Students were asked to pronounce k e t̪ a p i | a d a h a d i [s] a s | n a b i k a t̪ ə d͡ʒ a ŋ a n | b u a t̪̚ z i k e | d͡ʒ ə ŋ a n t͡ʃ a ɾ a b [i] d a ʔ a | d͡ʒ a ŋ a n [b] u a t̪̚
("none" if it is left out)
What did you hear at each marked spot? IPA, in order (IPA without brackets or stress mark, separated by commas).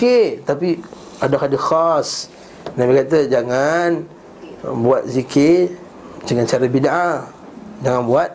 x, i, b